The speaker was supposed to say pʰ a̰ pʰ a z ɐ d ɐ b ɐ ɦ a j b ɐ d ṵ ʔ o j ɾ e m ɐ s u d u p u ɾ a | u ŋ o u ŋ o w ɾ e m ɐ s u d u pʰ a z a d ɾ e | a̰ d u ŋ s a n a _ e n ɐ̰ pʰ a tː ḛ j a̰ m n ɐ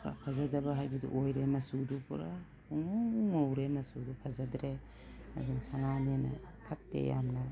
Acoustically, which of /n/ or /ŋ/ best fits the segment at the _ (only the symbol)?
n